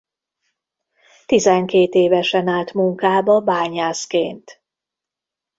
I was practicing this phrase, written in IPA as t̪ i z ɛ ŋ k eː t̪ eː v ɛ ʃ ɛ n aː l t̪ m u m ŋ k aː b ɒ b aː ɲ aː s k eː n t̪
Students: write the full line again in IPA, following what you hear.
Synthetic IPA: t̪ i z ɛ ŋ k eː t̪ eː v ɛ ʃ ɛ n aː l t̪ m u ŋ k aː b ɒ b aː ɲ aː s k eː n t̪